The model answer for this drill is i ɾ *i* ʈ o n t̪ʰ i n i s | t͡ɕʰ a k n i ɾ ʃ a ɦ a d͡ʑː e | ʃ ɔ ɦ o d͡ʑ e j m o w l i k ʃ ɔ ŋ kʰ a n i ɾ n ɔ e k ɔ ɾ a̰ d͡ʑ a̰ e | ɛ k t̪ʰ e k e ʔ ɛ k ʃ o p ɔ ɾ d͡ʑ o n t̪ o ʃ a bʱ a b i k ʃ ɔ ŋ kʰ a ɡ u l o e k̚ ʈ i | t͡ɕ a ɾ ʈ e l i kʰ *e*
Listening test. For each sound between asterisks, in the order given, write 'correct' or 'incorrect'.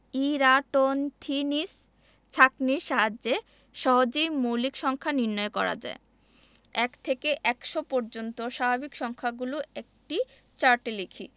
incorrect, incorrect

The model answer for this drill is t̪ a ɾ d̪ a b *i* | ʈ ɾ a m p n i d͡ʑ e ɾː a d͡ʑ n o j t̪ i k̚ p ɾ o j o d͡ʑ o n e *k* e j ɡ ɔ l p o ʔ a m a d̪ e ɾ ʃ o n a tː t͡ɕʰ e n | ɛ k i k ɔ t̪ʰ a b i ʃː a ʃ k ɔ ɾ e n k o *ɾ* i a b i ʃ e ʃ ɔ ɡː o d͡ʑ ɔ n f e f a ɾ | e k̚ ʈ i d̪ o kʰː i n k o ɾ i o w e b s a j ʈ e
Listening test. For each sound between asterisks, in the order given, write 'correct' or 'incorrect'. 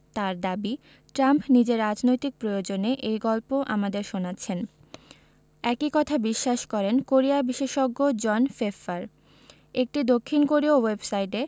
correct, incorrect, correct

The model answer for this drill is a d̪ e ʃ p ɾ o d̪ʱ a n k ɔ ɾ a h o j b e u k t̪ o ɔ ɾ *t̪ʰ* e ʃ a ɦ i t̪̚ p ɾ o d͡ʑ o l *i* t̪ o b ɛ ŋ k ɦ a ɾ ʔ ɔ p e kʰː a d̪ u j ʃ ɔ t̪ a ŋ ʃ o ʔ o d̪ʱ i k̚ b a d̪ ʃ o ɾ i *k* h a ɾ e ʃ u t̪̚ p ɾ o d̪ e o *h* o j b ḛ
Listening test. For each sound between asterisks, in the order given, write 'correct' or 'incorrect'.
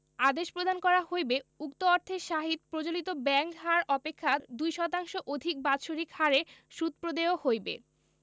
correct, correct, correct, correct

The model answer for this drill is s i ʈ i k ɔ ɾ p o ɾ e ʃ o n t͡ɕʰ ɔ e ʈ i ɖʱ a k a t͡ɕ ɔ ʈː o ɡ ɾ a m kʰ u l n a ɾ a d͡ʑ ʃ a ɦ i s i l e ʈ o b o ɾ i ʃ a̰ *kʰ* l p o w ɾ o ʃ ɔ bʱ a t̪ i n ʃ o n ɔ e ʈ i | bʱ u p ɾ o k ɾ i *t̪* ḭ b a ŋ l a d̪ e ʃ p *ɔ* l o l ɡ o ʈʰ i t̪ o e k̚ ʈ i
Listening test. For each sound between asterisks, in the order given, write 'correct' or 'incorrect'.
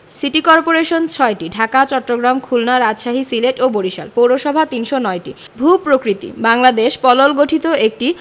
incorrect, correct, correct

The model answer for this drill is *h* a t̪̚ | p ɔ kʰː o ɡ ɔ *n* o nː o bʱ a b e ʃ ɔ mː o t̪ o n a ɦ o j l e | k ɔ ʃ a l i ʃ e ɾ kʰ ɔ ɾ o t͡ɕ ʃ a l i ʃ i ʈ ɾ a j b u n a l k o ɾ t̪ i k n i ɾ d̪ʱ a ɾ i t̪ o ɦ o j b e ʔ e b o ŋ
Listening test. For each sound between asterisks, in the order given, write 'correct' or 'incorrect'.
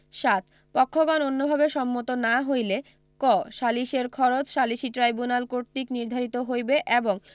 incorrect, correct

